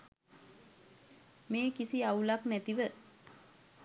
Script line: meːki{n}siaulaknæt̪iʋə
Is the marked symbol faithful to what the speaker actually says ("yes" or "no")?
no